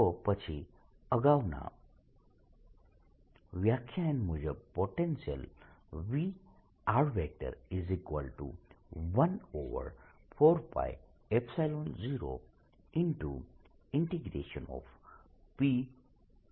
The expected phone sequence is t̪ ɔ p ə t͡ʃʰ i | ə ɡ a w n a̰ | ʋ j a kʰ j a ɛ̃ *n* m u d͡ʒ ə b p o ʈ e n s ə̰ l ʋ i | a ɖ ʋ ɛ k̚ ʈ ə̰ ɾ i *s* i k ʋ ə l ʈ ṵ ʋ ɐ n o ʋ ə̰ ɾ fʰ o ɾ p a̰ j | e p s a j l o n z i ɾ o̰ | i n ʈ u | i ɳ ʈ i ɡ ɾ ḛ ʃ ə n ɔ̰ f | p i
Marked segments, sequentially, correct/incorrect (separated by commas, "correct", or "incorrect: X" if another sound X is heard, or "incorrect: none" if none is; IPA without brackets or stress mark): correct, incorrect: z